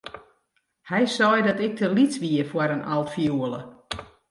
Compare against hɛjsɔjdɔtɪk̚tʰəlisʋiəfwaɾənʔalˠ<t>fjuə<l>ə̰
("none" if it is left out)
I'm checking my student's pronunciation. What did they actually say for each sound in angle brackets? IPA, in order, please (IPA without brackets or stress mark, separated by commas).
t, l